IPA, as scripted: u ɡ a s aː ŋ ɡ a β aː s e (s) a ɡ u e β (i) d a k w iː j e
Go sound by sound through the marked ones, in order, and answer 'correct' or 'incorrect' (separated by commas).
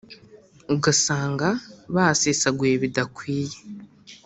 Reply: correct, correct